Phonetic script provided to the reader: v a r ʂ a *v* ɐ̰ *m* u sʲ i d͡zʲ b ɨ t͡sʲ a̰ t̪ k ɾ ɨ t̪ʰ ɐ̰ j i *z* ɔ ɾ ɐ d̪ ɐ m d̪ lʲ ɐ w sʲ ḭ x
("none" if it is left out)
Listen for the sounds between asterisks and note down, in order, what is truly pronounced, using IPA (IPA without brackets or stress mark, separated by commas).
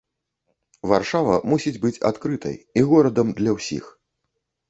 v, m, ɣ